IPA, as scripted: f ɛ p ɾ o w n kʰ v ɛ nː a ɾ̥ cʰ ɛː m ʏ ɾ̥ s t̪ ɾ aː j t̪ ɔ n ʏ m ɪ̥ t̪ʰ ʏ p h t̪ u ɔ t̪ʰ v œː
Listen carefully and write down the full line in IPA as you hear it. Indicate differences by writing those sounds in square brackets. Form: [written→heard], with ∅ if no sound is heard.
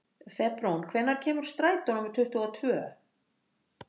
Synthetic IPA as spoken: f ɛ p ɾ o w n kʰ v ɛ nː a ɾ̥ cʰ ɛː m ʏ ɾ̥ s t̪ ɾ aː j t̪ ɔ n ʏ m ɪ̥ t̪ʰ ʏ [p→∅] h t̪ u ɔ t̪ʰ v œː